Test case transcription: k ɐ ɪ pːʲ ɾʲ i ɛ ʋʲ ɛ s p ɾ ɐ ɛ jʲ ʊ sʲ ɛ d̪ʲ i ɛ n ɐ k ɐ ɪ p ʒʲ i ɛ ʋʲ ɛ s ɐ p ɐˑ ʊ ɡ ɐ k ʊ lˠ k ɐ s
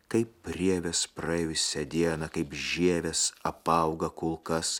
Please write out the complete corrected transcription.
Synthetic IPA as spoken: k ɐ ɪ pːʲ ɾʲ i ɛ ʋʲ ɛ s p ɾ ɐ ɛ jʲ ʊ sʲ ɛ d̪ʲ i ɛ n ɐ k ɐ ɪ p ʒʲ i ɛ ʋʲ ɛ s ɐ p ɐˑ ʊ ɡ ɐ k ʊ lˠ k ɐ s